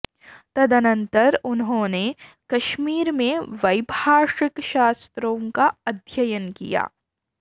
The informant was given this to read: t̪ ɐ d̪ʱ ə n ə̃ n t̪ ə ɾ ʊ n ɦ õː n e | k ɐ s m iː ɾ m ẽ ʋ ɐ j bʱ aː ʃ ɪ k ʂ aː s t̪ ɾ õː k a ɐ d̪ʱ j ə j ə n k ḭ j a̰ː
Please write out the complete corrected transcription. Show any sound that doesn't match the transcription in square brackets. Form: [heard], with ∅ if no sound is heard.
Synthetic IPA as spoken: t̪ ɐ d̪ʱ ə n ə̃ n t̪ ə ɾ ʊ n ɦ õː n e | k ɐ [ʃ] m iː ɾ m ẽ ʋ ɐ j bʱ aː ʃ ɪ k [ʃ] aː s t̪ ɾ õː k a ɐ d̪ʱ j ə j ə n k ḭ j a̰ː